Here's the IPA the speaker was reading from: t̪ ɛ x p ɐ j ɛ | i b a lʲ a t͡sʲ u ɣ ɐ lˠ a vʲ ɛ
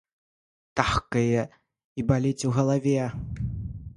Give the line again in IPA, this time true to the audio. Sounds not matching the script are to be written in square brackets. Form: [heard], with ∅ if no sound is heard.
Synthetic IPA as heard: t̪ [a] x [k] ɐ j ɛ | i b a lʲ [i] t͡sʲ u ɣ ɐ lˠ a vʲ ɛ